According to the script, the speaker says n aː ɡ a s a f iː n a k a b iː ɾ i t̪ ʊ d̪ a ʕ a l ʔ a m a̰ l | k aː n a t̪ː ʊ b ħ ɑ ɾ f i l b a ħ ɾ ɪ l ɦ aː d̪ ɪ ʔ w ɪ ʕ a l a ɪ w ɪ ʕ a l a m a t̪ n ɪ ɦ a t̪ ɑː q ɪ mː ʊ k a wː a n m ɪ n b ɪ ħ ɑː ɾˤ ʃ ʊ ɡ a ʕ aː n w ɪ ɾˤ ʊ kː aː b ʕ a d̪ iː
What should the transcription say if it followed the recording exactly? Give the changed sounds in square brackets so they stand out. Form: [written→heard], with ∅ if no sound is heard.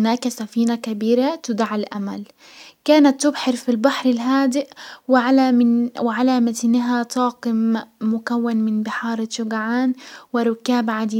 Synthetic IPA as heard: n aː [ɡ→k] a s a f iː n a k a b iː ɾ [i→a] t̪ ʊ d̪ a ʕ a l ʔ a m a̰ l | k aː n a t̪ː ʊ b ħ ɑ ɾ f i l b a ħ ɾ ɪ l ɦ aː d̪ ɪ ʔ w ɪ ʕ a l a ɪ w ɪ ʕ a l a m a t̪ n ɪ ɦ a t̪ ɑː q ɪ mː ʊ k a wː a n m ɪ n b ɪ ħ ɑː ɾˤ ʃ ʊ ɡ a ʕ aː n w ɪ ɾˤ ʊ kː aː b ʕ a d̪ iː